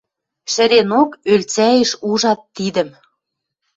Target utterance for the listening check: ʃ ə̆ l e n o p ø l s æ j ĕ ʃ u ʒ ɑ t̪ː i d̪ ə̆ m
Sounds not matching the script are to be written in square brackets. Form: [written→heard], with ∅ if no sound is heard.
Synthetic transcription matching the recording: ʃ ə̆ [l→ɾ] e n o [p→k] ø l [s→t͡s] æ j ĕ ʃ u ʒ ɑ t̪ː i d̪ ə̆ m